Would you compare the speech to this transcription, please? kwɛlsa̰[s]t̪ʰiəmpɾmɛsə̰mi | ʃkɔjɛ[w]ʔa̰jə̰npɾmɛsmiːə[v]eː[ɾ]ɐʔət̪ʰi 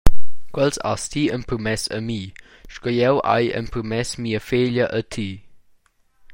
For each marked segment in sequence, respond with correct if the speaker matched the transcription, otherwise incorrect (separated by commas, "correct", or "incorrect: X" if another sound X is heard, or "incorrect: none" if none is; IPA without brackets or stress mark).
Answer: correct, correct, incorrect: f, incorrect: ʎ